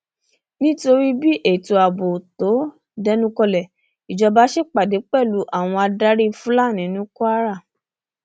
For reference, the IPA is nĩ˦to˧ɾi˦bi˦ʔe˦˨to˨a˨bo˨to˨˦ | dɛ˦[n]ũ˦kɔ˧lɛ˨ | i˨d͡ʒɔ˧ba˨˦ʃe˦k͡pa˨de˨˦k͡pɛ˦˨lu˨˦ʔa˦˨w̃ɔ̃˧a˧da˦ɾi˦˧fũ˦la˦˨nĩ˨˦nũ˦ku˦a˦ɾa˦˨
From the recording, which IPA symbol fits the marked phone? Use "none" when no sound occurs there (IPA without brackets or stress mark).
n